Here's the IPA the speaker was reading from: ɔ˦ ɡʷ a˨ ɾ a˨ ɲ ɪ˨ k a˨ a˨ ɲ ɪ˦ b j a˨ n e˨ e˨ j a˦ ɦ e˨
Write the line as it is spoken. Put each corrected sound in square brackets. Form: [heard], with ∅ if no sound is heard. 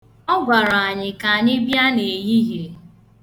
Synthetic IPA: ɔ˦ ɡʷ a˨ ɾ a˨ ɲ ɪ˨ k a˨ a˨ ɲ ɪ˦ b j [a˦] n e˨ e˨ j [i˦] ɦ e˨